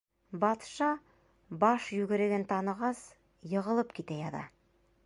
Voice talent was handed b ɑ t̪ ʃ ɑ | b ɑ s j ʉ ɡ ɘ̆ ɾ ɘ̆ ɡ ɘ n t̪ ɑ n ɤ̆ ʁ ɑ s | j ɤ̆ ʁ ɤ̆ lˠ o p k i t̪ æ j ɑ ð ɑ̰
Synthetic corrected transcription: b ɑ t̪ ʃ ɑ | b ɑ ʃ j ʉ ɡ ɘ̆ ɾ ɘ̆ ɡ ɘ n t̪ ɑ n ɤ̆ ʁ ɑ s | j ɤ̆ ʁ ɤ̆ lˠ ɤ p k i t̪ æ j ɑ ð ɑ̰